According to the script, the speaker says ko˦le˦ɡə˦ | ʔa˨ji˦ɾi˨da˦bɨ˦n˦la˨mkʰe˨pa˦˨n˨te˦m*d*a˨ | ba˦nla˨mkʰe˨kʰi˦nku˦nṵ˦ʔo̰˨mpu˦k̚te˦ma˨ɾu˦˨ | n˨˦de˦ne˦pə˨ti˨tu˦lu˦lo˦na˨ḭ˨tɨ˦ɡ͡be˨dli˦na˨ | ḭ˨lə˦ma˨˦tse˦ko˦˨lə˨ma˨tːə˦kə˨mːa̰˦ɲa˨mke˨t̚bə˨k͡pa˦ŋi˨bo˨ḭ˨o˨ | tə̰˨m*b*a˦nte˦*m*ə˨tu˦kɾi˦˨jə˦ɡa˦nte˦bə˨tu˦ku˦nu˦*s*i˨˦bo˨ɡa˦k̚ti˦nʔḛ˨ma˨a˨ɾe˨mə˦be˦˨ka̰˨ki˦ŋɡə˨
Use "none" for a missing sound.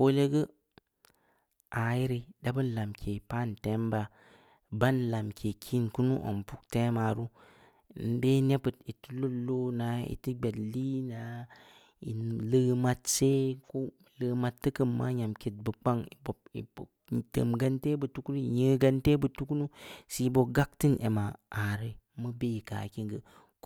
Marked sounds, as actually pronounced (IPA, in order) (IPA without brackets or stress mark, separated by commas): b, ɡ, b, s